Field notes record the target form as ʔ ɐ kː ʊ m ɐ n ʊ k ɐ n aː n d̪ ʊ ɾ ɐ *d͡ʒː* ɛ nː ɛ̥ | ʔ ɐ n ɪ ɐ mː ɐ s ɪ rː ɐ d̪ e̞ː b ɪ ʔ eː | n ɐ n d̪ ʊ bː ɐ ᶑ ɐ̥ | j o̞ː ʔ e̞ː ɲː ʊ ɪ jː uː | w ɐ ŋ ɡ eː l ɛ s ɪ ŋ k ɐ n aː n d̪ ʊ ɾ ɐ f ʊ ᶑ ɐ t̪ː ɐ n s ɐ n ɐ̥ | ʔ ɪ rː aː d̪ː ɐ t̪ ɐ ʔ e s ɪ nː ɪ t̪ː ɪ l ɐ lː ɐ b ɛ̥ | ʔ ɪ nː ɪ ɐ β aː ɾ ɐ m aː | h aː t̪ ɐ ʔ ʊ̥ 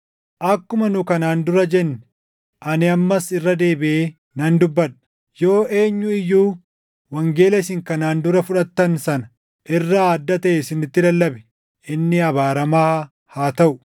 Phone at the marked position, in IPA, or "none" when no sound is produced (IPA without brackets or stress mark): d͡ʒ